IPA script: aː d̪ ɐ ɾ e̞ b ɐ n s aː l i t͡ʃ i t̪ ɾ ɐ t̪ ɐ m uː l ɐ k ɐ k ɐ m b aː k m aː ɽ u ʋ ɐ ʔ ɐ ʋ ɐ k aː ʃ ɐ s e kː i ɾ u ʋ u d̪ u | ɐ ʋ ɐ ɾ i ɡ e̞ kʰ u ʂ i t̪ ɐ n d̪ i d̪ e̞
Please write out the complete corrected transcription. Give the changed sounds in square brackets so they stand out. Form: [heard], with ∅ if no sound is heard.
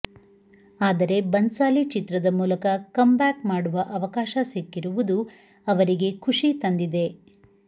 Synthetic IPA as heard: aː d̪ ɐ ɾ e̞ b ɐ n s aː l i t͡ʃ i t̪ ɾ ɐ [d̪] ɐ m uː l ɐ k ɐ k ɐ m b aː k m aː ɽ u ʋ ɐ ʔ ɐ ʋ ɐ k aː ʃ ɐ s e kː i ɾ u ʋ u d̪ u | ɐ ʋ ɐ ɾ i ɡ e̞ kʰ u ʂ i t̪ ɐ n d̪ i d̪ e̞